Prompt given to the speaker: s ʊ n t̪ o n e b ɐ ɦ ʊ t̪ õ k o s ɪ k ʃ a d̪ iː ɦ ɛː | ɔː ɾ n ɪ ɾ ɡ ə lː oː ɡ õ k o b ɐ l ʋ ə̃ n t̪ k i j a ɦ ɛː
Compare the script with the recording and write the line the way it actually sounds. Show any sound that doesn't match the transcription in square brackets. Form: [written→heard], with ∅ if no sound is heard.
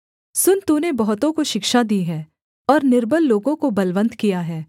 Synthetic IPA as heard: s ʊ n t̪ [o→u] n e b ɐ ɦ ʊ t̪ õ k o [s→ʃ] ɪ k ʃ a d̪ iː ɦ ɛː | ɔː ɾ n ɪ ɾ [ɡ→b] ə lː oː ɡ õ k o b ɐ l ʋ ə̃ n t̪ k i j a ɦ ɛː